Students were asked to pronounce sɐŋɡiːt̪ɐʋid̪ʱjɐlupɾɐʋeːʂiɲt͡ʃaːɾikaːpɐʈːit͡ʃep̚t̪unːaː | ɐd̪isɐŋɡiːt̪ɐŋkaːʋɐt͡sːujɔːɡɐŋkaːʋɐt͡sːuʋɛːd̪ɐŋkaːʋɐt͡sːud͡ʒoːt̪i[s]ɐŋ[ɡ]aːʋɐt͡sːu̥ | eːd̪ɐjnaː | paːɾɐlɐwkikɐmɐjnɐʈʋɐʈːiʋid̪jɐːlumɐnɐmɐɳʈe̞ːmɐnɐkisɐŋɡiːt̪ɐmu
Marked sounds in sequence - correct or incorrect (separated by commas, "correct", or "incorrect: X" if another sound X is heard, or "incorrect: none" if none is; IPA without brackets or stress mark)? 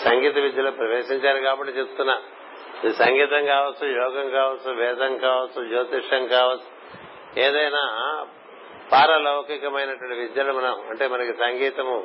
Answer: incorrect: ʂ, incorrect: k